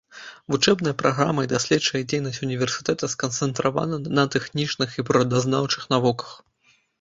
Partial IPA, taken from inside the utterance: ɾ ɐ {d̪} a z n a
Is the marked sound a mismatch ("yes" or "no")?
no